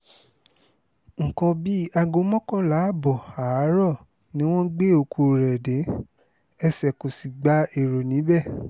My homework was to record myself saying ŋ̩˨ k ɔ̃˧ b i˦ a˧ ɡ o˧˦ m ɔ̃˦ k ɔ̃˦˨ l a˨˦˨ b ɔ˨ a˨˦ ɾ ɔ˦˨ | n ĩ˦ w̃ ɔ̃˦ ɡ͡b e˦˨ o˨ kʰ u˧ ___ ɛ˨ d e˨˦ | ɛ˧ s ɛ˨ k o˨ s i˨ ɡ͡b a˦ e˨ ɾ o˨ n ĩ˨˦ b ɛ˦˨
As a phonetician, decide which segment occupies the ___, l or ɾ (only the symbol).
ɾ